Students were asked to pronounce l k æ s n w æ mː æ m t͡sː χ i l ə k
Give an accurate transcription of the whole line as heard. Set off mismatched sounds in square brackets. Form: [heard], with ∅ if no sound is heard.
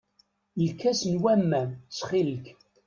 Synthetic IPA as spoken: l k æ s n w æ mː æ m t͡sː χ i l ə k